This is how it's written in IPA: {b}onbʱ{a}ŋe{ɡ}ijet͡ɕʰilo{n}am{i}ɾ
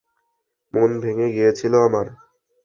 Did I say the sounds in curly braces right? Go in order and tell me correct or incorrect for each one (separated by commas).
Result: incorrect, incorrect, correct, incorrect, incorrect